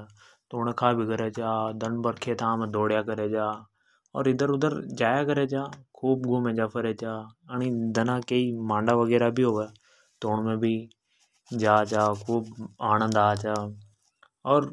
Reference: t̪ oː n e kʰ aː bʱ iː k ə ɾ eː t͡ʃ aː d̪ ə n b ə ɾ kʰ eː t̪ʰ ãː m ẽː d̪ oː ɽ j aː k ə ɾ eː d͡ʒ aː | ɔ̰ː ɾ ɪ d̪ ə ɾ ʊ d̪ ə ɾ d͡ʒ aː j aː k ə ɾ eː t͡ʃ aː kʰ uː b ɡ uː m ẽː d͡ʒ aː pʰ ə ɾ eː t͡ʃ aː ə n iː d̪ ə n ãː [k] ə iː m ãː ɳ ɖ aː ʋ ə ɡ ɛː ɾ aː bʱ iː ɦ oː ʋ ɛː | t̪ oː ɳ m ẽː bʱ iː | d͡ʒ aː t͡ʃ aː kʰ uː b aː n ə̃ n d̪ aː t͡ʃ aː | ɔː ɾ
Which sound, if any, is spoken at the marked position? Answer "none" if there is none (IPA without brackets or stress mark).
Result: k